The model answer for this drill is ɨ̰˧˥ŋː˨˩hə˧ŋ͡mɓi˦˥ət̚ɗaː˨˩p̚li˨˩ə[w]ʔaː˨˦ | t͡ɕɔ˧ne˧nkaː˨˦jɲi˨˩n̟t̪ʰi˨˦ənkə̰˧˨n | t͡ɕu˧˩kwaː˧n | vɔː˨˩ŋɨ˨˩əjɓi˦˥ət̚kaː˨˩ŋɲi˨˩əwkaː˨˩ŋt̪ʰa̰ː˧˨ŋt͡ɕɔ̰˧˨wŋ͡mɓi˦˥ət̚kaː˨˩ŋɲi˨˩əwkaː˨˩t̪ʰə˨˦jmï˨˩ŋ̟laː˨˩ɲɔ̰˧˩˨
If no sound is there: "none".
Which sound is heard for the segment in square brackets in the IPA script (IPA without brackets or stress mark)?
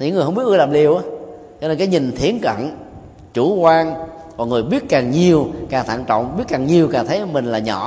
w